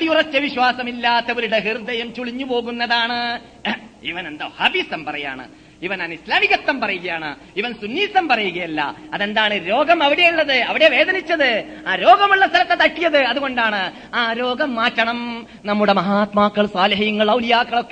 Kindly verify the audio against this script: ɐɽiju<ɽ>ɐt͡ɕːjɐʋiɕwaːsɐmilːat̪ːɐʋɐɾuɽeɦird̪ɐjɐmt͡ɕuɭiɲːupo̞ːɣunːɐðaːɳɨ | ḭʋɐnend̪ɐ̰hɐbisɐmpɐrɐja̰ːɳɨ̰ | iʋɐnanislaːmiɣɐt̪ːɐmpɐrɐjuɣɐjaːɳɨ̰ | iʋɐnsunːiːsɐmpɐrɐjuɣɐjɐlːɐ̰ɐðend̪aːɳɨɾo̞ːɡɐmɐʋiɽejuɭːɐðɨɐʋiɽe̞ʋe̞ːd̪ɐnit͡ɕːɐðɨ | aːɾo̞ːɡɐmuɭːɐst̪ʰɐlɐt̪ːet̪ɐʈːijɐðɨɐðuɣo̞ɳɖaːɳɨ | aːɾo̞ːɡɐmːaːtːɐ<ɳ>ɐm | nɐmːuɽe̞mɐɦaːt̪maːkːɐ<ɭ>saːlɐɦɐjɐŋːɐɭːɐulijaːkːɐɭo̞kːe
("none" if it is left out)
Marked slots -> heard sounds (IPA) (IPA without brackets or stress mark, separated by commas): r, ɳ, ɭ